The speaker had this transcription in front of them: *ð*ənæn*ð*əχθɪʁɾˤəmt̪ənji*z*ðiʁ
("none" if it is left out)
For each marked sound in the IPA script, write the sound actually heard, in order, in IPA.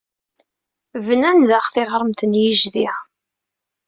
v, ð, ʒ

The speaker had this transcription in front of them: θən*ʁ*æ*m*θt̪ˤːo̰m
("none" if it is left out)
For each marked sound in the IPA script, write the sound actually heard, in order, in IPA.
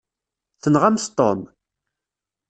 ʁ, m

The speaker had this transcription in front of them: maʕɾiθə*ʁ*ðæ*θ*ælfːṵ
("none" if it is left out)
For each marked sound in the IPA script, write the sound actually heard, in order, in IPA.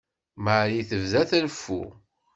v, θ

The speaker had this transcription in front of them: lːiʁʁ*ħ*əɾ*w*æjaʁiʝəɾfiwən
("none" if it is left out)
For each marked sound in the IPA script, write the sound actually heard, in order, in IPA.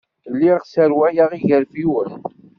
s, w

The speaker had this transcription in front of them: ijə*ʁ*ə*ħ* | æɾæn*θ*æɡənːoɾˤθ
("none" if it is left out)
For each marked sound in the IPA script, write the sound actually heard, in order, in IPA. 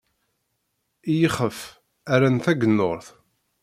χ, f, θ

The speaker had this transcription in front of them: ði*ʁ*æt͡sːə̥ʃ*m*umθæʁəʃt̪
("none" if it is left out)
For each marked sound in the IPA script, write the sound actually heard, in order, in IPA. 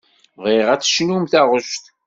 ʁ, n

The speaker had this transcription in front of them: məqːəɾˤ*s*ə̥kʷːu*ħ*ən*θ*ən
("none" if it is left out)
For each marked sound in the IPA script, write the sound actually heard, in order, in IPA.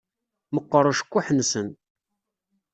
ʃ, ħ, s

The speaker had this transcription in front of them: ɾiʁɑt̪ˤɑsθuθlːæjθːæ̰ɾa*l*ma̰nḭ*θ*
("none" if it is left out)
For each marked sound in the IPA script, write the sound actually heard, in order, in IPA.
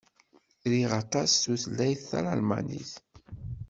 l, θ

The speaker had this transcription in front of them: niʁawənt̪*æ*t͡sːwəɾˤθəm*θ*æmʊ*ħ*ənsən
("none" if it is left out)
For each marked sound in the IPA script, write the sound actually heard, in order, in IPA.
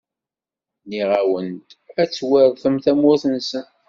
æ, θ, θ

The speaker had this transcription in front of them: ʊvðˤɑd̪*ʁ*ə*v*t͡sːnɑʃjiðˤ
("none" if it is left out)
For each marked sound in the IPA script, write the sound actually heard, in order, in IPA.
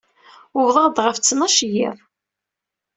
ʁ, f

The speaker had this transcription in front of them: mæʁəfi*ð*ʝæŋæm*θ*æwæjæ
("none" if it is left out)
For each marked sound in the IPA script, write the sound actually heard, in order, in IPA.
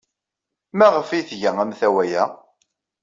θ, θ

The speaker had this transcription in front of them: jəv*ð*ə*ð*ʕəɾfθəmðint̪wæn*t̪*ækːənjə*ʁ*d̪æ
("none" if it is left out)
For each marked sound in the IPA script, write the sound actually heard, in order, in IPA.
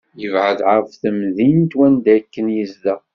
ʕ, ð, d̪, z

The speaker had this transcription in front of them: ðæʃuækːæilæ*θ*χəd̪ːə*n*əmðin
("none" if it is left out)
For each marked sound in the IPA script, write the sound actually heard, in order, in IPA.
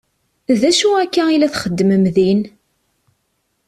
θ, m

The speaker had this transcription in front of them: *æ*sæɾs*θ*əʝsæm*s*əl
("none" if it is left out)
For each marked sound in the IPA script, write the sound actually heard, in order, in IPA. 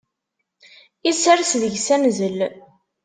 i, ð, z

